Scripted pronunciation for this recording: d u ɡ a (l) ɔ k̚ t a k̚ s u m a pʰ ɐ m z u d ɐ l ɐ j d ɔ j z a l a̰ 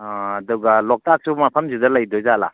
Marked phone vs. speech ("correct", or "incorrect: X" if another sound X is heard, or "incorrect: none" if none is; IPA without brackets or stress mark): correct